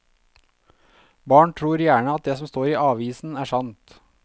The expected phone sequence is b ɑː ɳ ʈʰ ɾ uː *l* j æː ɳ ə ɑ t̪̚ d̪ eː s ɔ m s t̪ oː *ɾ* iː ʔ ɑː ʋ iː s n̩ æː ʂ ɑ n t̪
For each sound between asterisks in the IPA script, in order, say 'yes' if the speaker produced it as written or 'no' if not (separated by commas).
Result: no, yes